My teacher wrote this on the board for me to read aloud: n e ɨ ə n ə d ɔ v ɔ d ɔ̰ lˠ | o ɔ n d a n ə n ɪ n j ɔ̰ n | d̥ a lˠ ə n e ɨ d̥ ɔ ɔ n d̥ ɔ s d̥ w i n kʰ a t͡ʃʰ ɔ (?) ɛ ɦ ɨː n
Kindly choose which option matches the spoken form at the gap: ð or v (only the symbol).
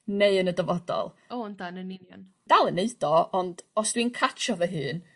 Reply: v